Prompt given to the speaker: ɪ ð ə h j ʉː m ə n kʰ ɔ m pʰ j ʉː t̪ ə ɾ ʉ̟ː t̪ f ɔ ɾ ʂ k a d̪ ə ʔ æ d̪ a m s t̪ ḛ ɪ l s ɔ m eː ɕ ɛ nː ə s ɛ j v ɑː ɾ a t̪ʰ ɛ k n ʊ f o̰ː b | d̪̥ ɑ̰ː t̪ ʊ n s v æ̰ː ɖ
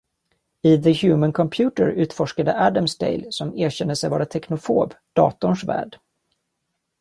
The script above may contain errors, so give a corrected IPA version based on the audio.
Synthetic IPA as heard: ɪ ð ə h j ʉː m ə n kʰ ɔ m pʰ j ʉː t̪ ə ɾ ʉ̟ː t̪ f ɔ ʂ k a d̪ ə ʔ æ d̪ a m s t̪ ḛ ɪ l s ɔ m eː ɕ ɛ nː ə s ɛ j v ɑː ɾ a t̪ʰ ɛ k n ʊ f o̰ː b | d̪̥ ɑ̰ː t̪ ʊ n ʂ v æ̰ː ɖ